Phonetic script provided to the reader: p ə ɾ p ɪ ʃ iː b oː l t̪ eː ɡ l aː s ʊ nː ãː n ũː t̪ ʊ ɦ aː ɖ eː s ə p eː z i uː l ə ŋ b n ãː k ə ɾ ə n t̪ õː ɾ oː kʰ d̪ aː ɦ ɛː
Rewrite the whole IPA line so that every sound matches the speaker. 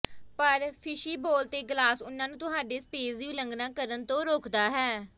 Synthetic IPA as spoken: p ə ɾ pʰ ɪ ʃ iː b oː l t̪ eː ɡ l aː s ʊ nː ãː n ũː t̪ ʊ ɦ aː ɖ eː s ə p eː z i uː l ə ŋ ɡ n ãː k ə ɾ ə n t̪ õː ɾ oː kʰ d̪ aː ɦ ɛː